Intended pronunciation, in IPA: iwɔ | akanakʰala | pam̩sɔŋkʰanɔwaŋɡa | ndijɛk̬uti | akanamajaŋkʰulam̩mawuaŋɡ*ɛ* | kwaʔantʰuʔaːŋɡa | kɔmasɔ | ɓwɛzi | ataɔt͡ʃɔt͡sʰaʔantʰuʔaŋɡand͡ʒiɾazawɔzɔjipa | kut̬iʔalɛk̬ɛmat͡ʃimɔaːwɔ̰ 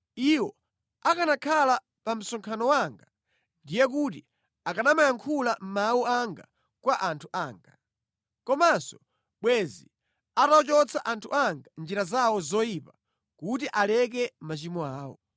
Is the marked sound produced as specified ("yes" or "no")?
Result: no